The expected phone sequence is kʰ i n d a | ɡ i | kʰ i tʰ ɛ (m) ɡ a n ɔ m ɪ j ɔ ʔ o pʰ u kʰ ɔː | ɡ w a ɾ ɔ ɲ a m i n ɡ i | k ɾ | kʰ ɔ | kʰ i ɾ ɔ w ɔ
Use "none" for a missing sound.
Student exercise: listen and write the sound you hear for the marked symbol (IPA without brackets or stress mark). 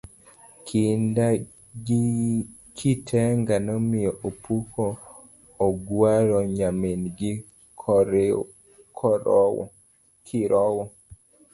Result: ŋ